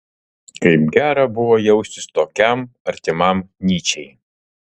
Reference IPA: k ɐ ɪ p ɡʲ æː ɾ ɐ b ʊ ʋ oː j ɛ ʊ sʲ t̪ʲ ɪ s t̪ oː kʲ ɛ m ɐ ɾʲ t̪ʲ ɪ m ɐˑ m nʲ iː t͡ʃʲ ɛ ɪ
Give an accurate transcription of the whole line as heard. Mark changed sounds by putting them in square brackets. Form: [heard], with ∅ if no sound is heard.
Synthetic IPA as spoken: k ɐ ɪ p ɡʲ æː ɾ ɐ b ʊ ʋ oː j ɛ ʊ sʲ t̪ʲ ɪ s t̪ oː kʲ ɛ m ɐ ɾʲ t̪ʲ ɪ m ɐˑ m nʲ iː t͡ʃʲ ɛ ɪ